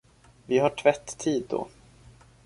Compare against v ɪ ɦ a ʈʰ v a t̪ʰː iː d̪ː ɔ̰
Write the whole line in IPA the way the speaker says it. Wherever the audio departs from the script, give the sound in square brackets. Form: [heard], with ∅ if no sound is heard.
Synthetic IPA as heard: v ɪ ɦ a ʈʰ v [ɛ] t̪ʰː iː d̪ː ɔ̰